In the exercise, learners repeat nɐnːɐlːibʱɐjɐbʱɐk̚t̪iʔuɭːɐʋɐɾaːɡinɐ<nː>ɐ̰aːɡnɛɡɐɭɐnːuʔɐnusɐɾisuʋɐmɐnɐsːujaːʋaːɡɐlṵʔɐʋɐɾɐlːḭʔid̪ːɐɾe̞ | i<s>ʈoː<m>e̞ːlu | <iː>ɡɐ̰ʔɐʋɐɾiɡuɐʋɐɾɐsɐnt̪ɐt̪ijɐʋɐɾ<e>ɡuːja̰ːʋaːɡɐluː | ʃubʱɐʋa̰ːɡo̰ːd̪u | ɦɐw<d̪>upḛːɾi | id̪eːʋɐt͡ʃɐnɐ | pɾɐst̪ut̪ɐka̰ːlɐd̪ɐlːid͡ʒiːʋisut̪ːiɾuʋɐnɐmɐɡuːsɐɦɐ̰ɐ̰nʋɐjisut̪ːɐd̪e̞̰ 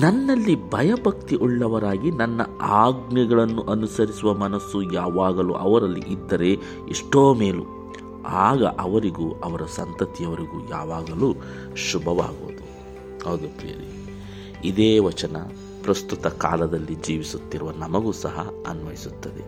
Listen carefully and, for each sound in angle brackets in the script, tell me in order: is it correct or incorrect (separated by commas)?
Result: correct, incorrect, correct, incorrect, incorrect, correct